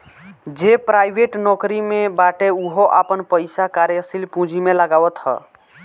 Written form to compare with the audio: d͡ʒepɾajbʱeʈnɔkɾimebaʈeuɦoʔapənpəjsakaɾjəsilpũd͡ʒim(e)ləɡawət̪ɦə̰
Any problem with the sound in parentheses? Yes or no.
no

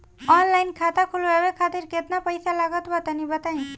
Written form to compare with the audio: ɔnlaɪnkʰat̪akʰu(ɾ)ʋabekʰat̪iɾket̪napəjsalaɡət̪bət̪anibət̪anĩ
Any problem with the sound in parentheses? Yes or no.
yes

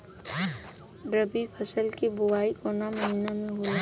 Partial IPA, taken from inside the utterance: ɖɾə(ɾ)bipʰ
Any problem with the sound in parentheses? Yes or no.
yes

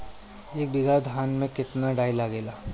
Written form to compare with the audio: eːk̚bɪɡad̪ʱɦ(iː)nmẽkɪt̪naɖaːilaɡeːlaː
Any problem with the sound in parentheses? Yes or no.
yes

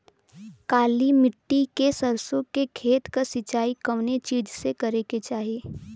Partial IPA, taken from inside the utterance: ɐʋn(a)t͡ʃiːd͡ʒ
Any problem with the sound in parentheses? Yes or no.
yes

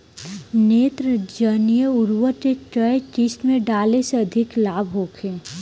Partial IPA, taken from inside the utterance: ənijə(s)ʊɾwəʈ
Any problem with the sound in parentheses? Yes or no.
yes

